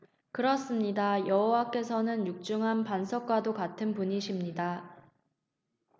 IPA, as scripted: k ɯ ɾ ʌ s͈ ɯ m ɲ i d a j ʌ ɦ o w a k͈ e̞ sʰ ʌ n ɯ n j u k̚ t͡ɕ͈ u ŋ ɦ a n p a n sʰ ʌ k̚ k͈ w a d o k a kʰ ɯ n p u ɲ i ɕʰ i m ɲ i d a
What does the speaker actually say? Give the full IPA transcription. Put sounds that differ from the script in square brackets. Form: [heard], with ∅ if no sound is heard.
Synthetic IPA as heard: k ɯ ɾ ʌ s͈ ɯ m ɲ i d a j ʌ ɦ o w a k͈ e̞ sʰ ʌ n ɯ n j u k̚ t͡ɕ͈ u ŋ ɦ a n p a n sʰ ʌ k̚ k͈ w a d o k a [tʰ] ɯ n p u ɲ i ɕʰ i m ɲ i d a